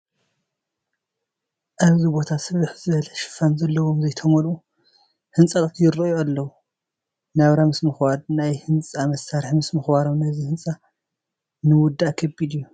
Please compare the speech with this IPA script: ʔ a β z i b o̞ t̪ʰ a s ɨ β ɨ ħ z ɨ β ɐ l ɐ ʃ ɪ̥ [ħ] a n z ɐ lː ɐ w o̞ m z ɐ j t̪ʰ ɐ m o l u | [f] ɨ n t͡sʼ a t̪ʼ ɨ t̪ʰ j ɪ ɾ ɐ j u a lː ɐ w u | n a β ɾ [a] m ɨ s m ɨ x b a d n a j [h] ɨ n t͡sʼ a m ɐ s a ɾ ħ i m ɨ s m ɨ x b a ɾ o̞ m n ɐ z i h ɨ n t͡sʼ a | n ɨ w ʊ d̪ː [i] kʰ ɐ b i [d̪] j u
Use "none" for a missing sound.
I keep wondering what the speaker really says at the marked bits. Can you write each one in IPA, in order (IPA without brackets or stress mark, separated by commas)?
f, h, a, h, a, d̪